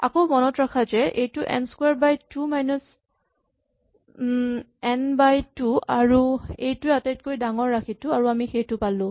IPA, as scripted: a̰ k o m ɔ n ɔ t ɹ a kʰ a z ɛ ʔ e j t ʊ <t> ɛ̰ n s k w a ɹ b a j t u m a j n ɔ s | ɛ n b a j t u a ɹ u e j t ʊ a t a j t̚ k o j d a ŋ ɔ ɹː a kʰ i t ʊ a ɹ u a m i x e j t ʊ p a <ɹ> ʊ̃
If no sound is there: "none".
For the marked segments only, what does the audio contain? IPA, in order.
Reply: ʔ, l

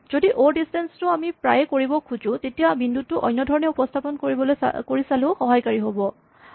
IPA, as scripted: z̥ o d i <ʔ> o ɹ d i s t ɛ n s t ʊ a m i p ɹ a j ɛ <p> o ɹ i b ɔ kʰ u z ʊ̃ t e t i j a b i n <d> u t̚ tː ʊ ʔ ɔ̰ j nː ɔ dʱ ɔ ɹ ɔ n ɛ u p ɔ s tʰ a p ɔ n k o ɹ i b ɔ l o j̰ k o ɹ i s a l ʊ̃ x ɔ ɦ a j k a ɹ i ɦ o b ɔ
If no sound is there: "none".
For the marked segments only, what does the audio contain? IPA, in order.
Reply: ʔ, k, d

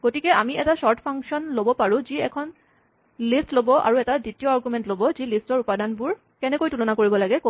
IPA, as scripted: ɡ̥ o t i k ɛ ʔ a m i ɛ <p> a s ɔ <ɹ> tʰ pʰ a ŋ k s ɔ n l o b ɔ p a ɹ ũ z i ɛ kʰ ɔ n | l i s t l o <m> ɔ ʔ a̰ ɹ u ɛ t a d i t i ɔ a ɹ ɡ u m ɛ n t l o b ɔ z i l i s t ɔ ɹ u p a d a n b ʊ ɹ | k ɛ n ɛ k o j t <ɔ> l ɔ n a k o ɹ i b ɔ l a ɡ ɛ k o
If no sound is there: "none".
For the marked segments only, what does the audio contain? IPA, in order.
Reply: t, ɹ, b, u

